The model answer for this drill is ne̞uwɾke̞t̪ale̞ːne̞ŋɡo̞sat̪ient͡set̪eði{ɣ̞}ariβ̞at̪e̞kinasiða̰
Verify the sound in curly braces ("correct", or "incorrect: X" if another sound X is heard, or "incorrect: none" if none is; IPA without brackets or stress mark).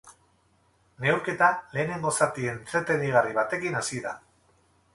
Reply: correct